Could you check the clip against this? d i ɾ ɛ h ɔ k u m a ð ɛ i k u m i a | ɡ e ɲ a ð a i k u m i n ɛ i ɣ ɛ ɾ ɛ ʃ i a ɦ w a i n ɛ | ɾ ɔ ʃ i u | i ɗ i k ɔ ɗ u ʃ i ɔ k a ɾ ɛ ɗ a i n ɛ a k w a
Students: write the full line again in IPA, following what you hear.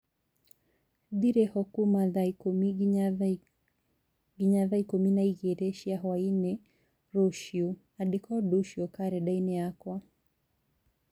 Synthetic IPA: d i ɾ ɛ h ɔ k u m a ð a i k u m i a | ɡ i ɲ a ð a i k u m i n a i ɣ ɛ ɾ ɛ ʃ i a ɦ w a i n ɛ | ɾ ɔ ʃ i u | a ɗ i k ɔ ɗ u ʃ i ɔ k a ɾ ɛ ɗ a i n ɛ a k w a